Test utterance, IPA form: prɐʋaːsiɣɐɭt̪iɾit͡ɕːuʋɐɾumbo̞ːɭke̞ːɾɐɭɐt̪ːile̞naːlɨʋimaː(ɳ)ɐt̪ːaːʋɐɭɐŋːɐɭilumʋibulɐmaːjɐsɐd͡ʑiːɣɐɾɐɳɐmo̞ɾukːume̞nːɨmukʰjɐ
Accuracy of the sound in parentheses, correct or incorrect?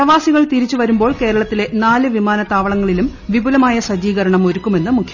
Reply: incorrect: n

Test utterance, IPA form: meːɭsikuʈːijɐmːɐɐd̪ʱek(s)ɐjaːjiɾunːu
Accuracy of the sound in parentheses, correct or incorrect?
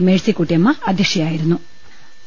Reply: incorrect: ʂ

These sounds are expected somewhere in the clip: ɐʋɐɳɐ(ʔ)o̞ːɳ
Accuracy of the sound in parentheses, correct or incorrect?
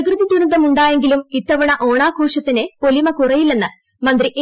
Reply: correct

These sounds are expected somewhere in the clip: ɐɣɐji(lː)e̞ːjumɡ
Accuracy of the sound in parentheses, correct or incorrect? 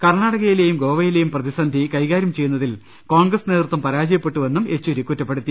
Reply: incorrect: l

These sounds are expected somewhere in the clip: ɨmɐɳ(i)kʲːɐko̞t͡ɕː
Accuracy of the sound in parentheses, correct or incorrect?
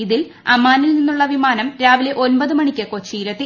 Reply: correct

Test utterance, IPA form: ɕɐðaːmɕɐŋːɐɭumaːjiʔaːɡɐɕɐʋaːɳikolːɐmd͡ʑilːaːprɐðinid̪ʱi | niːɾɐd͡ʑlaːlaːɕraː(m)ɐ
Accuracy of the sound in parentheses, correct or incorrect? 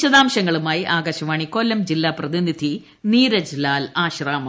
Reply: correct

